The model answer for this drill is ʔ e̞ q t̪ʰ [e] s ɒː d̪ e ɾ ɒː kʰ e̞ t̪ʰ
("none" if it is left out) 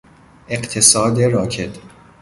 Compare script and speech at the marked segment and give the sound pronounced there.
e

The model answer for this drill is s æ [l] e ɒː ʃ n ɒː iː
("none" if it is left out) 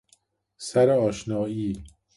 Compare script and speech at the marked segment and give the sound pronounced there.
ɾ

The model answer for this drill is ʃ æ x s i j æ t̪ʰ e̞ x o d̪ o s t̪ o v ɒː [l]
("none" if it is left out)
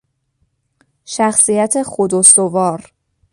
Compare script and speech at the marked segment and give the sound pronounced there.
ɾ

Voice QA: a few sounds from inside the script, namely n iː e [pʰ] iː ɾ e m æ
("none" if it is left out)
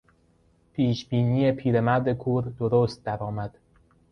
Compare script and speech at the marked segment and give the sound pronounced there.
pʰ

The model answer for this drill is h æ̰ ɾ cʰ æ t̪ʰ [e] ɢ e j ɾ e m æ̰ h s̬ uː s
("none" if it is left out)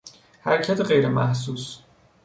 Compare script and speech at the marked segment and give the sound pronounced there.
e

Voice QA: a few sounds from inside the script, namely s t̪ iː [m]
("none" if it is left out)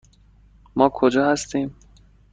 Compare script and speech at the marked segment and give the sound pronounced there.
m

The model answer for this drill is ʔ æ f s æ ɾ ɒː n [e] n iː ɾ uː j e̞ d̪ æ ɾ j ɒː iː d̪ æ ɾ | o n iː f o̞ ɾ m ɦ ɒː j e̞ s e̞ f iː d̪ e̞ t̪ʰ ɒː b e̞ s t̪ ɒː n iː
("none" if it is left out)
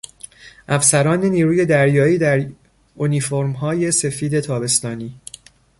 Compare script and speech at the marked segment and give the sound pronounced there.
e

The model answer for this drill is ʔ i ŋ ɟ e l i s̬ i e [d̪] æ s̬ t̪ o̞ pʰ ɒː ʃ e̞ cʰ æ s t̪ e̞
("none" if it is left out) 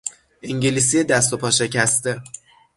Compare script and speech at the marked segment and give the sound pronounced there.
d̪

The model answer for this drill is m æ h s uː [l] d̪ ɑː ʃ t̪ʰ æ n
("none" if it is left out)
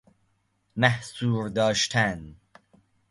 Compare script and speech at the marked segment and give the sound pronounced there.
ɾ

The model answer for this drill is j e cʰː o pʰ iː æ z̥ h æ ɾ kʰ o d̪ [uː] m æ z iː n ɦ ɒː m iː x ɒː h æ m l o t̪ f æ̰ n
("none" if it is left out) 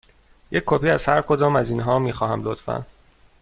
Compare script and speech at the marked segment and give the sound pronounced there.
ɒː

